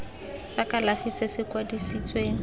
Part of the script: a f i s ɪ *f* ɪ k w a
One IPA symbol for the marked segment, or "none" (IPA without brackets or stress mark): s